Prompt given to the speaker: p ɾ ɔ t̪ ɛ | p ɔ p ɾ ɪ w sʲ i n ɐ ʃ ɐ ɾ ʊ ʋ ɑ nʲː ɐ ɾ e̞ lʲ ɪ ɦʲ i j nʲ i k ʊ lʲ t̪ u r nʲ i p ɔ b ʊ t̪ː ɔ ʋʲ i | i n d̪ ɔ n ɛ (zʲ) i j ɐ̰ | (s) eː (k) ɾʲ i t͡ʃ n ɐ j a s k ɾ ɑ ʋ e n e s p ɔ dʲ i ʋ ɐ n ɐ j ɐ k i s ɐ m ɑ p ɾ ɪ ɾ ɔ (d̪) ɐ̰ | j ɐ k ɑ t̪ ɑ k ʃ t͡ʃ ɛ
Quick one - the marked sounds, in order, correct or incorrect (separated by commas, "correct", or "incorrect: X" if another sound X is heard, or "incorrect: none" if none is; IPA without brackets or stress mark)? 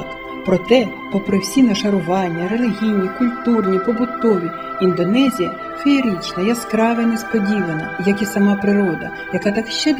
correct, incorrect: f, incorrect: none, correct